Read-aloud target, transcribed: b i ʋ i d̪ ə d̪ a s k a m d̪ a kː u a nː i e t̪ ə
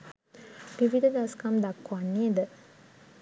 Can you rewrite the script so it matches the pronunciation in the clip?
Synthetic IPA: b i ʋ i d̪ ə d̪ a s k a m d̪ a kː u a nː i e d̪ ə